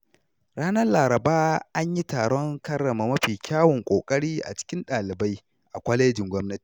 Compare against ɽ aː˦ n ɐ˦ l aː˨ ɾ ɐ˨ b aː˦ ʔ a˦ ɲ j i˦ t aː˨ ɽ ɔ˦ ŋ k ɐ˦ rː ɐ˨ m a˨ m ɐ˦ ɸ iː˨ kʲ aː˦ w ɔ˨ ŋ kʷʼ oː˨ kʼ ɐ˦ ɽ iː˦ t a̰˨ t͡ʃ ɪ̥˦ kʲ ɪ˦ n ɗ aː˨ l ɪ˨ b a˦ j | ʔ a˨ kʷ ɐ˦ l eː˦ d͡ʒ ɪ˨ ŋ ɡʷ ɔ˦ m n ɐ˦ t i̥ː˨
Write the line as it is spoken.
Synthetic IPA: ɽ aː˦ n ɐ˦ l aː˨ ɾ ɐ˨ b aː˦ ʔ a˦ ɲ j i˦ t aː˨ ɽ ɔ˦ ŋ k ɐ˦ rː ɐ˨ m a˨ m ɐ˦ ɸ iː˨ kʲ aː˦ w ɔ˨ ŋ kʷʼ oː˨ kʼ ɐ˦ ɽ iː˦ ʔ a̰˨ t͡ʃ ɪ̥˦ kʲ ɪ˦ n ɗ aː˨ l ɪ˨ b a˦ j | ʔ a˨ kʷ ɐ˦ l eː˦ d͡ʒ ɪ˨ ŋ ɡʷ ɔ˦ m n ɐ˦ t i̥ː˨

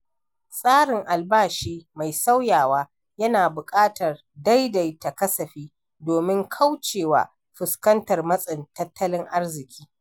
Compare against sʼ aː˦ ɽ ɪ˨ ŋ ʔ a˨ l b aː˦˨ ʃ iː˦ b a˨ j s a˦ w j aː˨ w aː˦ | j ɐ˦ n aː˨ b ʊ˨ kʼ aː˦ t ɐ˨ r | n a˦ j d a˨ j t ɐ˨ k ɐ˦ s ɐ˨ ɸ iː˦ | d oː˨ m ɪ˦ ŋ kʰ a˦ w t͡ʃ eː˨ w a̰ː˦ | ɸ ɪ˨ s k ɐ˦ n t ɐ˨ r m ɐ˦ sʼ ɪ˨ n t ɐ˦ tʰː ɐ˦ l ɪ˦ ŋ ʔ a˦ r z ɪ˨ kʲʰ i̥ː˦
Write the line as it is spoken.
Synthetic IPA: sʼ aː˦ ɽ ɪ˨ ŋ ʔ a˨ l b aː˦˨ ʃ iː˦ m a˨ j s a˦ w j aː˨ w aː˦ | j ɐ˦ n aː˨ b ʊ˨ kʼ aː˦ t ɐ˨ r | d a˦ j d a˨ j t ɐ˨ k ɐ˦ s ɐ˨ ɸ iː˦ | d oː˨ m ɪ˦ ŋ kʰ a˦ w t͡ʃ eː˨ w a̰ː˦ | ɸ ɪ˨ s k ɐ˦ n t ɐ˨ r m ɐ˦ sʼ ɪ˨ n t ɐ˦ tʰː ɐ˦ l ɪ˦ ŋ ʔ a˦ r z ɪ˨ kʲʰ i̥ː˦

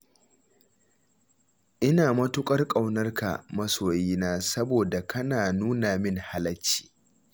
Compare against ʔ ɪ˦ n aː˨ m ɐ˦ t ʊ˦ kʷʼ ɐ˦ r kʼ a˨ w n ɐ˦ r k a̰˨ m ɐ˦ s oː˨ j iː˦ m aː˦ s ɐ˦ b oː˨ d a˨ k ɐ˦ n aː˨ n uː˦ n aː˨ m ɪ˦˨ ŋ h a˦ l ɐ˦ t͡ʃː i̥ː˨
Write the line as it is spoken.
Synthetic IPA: ʔ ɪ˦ n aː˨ m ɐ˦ t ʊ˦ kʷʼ ɐ˦ r kʼ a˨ w n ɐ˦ r k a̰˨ m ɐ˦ s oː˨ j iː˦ n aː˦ s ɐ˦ b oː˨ d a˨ k ɐ˦ n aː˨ n uː˦ n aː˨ m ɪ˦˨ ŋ h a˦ l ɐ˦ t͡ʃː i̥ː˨

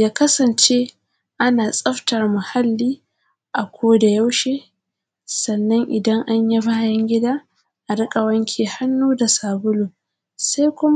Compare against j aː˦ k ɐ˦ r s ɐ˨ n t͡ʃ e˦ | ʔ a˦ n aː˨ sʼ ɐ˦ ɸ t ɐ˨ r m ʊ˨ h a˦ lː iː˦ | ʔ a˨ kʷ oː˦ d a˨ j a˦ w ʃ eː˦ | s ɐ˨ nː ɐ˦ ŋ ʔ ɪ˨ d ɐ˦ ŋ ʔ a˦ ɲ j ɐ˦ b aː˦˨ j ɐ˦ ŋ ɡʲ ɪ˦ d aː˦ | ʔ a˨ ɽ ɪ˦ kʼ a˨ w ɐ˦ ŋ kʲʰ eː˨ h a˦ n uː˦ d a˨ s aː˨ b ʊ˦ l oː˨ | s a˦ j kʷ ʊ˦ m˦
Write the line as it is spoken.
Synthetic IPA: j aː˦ k ɐ˦ s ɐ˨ n t͡ʃ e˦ | ʔ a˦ n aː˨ sʼ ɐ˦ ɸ t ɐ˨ r m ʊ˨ h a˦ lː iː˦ | ʔ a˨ kʷ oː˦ d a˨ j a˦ w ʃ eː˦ | s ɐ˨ nː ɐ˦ ŋ ʔ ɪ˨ d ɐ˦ ŋ ʔ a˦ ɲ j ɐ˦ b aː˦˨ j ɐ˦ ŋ ɡʲ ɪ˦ d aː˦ | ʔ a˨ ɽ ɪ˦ kʼ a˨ w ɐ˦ ŋ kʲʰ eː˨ h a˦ nː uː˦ d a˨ s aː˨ b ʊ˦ l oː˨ | s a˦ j kʷ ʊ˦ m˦

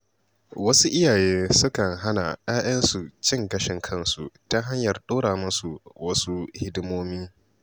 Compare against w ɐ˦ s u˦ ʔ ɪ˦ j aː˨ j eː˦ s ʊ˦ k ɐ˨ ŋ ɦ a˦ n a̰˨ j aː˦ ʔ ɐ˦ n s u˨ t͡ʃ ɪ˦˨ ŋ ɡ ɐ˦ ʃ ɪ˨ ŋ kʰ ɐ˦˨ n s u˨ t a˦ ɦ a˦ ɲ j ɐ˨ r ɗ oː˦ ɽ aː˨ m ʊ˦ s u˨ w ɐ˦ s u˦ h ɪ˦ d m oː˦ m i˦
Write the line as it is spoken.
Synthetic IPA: w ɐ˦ s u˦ ʔ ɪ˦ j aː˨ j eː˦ s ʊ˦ k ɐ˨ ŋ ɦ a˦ n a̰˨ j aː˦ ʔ ɐ˦ n s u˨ t͡ʃ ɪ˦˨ ŋ ɡ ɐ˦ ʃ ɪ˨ ŋ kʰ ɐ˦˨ n s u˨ t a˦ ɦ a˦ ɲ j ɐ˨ r ɗ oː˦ ɽ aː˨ m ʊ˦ s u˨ w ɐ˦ s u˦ h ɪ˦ d m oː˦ m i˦

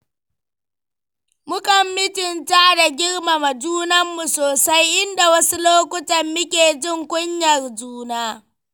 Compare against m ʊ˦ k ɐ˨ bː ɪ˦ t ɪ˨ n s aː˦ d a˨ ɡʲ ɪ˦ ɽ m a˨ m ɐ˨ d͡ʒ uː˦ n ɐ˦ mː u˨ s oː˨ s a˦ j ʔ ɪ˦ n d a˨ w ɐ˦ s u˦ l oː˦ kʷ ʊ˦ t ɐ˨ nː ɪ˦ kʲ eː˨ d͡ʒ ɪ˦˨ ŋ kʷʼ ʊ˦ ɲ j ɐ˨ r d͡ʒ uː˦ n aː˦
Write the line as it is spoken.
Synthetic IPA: m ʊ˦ k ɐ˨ mː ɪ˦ t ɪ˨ n t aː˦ d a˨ ɡʲ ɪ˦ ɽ m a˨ m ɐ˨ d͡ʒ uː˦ n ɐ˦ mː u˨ s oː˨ s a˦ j ʔ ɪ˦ n d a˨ w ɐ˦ s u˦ l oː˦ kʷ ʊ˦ t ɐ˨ mː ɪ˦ kʲ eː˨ d͡ʒ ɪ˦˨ ŋ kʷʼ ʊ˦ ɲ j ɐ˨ r d͡ʒ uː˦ n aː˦

